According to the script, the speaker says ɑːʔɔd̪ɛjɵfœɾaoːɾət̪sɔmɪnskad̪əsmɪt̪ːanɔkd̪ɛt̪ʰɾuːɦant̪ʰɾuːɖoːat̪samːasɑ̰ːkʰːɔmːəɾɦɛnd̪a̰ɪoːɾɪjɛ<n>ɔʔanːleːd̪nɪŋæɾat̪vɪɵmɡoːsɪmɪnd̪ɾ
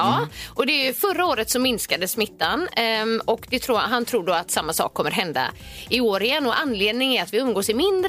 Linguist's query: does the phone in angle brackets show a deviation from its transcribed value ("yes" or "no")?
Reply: yes